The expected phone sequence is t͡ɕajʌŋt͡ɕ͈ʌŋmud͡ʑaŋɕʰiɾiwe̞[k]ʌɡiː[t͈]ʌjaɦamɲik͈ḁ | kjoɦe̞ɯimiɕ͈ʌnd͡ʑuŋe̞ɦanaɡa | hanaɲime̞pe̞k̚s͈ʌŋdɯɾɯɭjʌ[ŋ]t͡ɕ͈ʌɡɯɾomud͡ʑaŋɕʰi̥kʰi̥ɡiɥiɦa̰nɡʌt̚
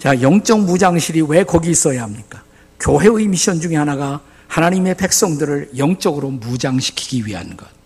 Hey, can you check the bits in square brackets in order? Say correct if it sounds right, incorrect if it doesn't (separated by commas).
correct, incorrect, correct